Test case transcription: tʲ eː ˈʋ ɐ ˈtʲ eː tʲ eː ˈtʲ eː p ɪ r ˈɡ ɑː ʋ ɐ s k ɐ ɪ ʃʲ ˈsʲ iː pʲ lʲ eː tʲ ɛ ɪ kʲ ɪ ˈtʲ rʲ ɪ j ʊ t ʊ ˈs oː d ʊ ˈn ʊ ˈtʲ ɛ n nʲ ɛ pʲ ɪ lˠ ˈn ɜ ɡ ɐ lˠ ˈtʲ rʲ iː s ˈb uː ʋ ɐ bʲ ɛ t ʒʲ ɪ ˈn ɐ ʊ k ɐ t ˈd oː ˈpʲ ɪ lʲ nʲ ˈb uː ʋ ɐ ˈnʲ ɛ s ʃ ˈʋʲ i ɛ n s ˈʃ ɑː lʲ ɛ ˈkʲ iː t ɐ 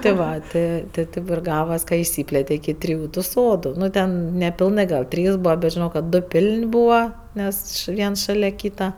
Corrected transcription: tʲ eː ˈʋ ɐ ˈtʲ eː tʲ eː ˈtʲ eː p ɪ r ˈɡ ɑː ʋ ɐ s k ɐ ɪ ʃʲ ˈsʲ iː pʲ lʲ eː tʲ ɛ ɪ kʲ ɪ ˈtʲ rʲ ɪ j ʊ t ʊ ˈs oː d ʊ ˈn ʊ ˈtʲ ɛ n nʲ ɛ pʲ ɪ lˠ ˈn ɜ ɡ ɐ lˠ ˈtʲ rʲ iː s ˈb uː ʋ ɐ bʲ ɛ t ʒʲ ɪ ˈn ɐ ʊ k ɐ t ˈd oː ˈpʲ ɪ lʲ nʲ ˈb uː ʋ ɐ ˈnʲ ɛ s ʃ ˈʋʲ i ɛ n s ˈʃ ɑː lʲ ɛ ˈkʲ iː t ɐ